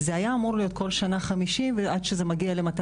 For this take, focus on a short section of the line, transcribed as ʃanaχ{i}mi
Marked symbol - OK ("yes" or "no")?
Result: no